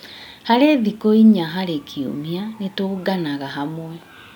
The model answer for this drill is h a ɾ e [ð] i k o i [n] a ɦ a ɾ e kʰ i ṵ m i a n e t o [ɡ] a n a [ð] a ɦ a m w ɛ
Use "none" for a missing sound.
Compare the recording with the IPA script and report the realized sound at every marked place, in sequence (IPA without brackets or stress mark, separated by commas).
ð, ɲ, ɡ, ɣ